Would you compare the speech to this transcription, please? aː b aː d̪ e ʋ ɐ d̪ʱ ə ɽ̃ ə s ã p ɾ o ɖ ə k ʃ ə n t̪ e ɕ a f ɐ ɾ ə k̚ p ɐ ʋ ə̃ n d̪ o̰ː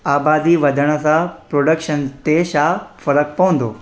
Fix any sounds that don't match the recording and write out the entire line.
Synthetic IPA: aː b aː d̪ i ʋ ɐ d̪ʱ ə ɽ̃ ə s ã p ɾ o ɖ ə k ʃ ə n t̪ e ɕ a f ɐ ɾ ə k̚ p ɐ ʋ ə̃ n d̪ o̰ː